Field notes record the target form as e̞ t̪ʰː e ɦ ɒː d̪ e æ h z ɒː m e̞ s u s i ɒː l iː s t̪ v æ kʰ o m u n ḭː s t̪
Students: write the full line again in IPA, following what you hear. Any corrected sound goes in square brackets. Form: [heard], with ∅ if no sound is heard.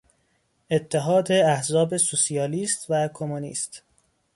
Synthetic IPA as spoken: e̞ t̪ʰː e ɦ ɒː d̪ e æ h z ɒː [b] e̞ s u s i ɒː l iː s t̪ v æ kʰ o m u n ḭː s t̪